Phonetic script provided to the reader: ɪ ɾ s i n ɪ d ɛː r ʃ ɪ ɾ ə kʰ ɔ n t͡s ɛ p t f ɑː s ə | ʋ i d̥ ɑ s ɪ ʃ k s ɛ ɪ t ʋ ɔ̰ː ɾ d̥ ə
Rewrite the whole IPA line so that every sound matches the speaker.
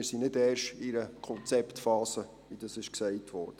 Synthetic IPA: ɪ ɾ s i n ɪ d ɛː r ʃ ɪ ɾ ə kʰ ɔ n t͡s ɛ p t f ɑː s ə | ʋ i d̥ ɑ s ɪ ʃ k s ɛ ɪ t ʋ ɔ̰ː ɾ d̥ ə